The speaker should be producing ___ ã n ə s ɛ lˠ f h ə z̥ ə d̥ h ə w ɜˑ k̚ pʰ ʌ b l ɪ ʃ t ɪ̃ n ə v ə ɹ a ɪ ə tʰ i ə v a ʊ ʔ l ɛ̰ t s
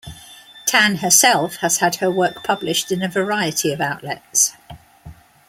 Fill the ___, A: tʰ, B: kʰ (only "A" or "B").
A